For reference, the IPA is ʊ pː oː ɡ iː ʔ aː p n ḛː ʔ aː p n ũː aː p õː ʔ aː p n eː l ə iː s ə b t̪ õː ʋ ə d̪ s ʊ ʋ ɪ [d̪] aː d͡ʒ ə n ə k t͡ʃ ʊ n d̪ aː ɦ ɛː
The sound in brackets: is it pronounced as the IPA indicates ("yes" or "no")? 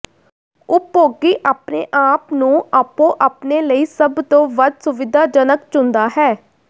yes